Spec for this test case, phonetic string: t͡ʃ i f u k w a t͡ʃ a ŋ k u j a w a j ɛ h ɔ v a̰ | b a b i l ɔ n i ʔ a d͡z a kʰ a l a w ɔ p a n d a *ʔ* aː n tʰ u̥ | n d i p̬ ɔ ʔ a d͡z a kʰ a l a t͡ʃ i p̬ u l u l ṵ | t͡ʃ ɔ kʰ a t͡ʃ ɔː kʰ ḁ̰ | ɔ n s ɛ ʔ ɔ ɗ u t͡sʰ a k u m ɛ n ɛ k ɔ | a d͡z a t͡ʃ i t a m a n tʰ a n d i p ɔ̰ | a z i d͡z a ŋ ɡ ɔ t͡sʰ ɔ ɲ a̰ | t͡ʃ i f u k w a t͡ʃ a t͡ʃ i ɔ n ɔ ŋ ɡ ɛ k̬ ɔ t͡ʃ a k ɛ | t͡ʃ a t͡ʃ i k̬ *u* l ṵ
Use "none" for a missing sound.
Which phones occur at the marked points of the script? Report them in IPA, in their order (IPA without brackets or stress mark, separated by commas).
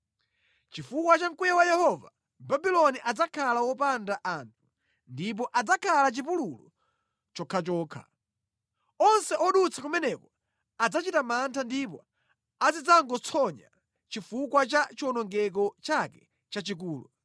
ʔ, uː